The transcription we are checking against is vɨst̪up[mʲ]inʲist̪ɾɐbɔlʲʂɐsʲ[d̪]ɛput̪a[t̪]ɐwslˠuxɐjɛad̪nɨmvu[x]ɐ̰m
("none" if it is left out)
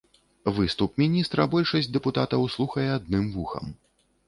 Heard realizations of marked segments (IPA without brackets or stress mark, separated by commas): mʲ, d̪, t̪, x